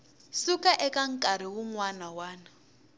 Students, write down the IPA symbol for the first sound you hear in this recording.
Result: s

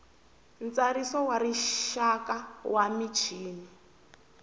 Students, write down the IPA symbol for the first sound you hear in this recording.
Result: n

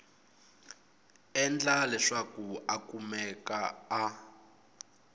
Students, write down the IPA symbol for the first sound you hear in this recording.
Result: ɛ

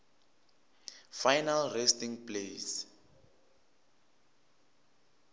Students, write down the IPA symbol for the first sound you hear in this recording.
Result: f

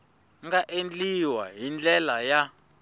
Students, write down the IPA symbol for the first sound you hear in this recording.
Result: ŋ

